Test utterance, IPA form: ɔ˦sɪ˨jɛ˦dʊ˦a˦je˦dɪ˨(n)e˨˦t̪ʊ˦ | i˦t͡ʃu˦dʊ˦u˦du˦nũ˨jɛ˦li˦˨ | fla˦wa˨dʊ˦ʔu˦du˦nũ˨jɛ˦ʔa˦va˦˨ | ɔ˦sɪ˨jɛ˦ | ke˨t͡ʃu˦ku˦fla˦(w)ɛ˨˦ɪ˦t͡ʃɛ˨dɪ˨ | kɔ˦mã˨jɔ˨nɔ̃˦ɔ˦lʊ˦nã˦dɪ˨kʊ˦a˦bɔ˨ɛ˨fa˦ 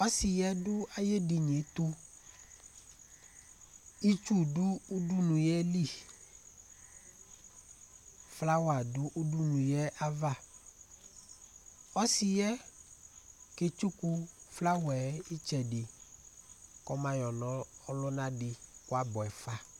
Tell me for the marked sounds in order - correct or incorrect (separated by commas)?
incorrect, correct